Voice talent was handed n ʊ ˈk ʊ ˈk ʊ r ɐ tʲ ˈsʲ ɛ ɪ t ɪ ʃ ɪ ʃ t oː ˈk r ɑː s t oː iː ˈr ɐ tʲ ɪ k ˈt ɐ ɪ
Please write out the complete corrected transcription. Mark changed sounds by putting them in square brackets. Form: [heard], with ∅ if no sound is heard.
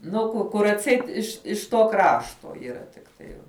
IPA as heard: n ʊ ˈk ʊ ˈk ʊ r ɐ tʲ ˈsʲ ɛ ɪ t ɪ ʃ ɪ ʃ t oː ˈk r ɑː [ʃ] t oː iː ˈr ɐ tʲ ɪ k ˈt ɐ ɪ